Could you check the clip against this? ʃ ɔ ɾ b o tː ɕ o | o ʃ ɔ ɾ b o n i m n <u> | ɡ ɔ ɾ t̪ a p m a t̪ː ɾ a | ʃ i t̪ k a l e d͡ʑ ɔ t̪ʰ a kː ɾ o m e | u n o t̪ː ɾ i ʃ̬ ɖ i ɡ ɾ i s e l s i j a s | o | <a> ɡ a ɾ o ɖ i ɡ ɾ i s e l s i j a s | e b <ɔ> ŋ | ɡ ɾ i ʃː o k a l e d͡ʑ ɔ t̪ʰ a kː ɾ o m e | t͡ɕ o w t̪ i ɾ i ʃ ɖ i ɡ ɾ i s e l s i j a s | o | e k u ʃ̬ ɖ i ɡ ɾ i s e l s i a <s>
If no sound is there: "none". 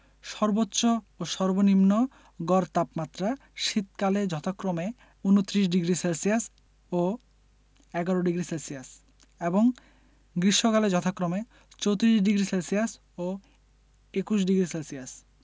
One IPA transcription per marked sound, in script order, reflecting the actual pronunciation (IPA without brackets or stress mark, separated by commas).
o, ɛ, o, s